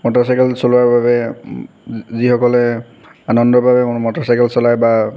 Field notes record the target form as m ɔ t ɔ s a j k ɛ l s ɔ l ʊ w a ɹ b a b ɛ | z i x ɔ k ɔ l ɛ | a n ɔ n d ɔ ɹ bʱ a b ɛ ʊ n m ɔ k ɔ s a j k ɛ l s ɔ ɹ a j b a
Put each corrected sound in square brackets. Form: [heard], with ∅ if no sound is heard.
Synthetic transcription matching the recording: m ɔ t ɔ s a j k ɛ l s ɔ l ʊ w a ɹ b a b ɛ | z i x ɔ k ɔ l ɛ | a n ɔ n d ɔ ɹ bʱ a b ɛ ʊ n m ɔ [t] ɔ s a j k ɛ l s ɔ [l] a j b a